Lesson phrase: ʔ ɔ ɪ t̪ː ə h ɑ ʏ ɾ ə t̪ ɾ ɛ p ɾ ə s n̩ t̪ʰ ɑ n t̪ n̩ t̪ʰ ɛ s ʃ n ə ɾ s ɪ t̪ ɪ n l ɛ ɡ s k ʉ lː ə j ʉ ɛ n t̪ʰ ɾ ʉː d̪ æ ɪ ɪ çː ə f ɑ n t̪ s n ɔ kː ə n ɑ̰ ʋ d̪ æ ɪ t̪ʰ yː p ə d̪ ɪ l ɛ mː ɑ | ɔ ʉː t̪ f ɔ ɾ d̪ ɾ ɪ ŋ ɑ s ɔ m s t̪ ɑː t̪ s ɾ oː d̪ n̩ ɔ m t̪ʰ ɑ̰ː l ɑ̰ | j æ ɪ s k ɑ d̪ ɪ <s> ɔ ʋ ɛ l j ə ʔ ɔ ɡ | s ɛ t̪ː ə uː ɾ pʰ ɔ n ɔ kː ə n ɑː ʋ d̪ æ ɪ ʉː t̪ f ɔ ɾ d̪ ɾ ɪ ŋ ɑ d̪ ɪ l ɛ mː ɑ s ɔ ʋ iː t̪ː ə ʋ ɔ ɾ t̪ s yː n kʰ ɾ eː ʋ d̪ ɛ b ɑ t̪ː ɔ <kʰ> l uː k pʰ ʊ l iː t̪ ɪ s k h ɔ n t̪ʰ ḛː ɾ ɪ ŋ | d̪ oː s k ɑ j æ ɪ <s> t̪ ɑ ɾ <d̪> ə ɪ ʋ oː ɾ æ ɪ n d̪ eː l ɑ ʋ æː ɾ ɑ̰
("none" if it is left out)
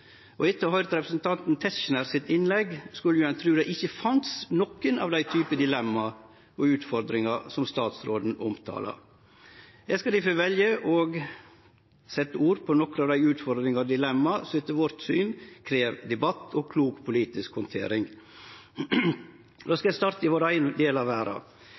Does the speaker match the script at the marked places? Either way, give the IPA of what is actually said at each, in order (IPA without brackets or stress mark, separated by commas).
f, kʰ, s, t̪